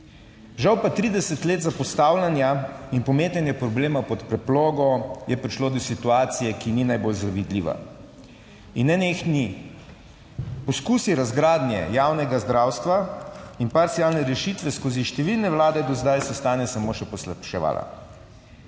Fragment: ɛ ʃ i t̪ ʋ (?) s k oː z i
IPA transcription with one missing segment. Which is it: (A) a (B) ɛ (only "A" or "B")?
B